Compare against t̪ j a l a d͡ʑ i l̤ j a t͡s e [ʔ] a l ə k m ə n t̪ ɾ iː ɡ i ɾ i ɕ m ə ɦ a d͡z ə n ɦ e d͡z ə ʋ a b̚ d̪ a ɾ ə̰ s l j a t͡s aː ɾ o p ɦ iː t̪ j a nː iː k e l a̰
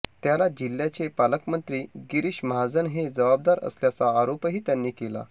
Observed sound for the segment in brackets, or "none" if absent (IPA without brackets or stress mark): p